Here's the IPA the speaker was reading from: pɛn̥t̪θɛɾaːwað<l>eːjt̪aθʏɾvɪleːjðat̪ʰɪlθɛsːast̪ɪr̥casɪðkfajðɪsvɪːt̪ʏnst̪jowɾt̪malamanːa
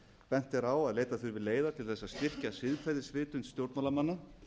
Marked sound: correct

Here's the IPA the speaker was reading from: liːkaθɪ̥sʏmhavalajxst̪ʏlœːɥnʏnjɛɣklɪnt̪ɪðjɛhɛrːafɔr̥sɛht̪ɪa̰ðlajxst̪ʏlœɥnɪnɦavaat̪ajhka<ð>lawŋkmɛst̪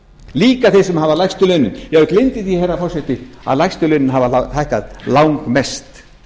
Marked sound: correct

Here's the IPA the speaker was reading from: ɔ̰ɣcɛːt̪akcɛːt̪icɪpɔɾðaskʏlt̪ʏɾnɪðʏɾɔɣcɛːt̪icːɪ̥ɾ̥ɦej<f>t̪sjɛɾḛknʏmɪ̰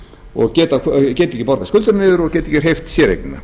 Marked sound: correct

